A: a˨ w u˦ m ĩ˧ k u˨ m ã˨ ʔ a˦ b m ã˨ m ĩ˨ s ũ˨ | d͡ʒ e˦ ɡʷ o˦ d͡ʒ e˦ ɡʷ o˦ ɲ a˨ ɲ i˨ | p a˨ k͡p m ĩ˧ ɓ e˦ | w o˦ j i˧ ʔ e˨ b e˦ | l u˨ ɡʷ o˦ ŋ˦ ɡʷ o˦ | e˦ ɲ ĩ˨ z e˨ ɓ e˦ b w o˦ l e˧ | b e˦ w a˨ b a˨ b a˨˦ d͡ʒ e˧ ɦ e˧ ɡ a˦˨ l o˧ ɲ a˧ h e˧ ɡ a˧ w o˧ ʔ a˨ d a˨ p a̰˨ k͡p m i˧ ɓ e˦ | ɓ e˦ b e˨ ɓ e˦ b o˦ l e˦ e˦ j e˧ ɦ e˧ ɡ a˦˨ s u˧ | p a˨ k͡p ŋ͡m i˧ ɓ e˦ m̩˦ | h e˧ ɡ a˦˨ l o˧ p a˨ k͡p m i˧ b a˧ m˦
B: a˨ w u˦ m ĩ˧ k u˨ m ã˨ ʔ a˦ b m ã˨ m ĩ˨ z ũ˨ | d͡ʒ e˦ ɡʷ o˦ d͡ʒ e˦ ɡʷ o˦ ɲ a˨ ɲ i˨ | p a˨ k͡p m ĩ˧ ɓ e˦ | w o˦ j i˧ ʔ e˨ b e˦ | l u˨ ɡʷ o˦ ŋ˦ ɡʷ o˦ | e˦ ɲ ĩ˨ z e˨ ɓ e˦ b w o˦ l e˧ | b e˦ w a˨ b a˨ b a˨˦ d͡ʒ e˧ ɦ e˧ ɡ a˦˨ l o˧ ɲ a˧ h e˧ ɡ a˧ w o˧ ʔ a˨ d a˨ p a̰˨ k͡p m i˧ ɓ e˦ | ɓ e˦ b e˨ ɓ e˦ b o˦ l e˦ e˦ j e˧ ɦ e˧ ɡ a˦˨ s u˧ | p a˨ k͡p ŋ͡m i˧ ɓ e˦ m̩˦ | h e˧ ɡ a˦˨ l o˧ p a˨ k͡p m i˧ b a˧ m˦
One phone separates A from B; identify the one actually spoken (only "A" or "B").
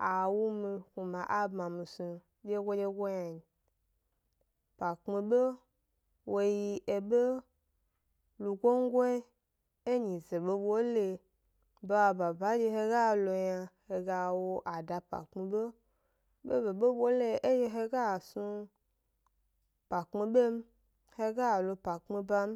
A